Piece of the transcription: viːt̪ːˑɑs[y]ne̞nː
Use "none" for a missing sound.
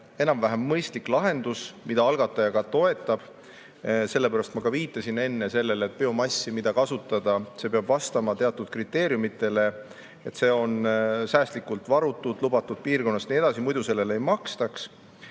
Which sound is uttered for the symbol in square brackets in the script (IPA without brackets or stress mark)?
i